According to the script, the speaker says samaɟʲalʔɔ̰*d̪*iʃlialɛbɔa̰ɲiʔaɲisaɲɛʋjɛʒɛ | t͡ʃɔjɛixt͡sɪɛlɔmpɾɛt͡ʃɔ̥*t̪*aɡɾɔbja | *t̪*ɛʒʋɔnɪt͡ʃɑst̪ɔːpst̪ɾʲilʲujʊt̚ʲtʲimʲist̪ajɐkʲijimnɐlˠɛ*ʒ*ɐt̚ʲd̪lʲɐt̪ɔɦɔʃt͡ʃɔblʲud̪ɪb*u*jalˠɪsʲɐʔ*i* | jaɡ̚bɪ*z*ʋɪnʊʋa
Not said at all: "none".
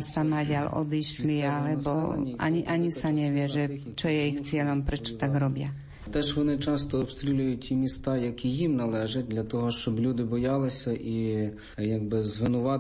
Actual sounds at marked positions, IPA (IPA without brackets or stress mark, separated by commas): d̪, t̪, t̪, ʒ, ɔ, i, z